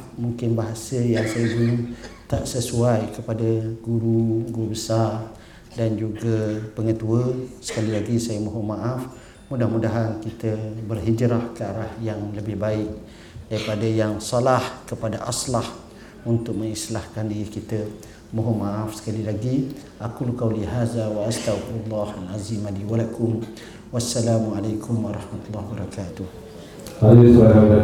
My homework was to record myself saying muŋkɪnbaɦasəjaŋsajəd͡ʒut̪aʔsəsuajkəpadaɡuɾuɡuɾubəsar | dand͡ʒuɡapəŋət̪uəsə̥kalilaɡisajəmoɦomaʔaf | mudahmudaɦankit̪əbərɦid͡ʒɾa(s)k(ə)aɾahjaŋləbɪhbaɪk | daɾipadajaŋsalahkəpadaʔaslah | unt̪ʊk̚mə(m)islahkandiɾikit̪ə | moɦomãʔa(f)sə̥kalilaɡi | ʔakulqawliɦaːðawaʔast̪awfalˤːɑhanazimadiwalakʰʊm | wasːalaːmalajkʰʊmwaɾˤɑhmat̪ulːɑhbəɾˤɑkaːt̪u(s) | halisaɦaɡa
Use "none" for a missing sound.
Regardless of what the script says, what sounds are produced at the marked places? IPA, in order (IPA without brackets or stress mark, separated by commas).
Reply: h, ə, ŋ, f, h